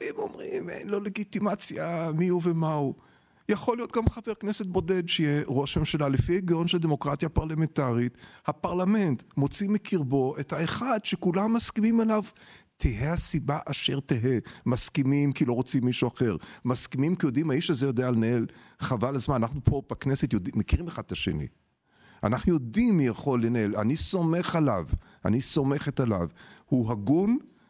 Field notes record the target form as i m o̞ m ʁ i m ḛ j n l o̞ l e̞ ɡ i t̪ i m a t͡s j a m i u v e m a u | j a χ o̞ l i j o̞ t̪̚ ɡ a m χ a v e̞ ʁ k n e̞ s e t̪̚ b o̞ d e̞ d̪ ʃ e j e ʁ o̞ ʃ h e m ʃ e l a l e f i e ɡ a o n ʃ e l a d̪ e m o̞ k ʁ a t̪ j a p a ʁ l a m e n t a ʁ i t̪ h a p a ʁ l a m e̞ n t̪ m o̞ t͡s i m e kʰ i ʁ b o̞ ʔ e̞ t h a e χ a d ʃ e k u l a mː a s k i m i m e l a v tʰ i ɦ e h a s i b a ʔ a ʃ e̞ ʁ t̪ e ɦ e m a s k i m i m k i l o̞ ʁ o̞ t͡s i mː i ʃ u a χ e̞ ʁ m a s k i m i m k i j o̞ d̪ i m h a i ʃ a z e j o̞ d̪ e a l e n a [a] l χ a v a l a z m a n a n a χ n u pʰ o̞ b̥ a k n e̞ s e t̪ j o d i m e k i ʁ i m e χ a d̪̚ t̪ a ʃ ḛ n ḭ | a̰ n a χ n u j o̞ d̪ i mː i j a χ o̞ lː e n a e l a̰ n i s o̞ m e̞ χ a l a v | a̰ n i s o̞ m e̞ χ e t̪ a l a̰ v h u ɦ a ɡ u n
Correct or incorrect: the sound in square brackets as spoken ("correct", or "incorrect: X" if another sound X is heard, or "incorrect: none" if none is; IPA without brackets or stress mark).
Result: incorrect: e